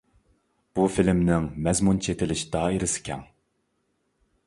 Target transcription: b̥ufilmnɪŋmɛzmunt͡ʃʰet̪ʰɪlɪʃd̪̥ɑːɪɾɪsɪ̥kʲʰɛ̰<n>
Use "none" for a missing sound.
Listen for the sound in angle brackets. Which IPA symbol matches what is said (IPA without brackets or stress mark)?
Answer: ŋ